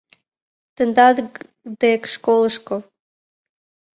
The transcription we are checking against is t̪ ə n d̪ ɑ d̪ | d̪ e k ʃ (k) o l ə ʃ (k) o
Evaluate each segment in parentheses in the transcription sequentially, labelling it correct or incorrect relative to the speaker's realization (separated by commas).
correct, correct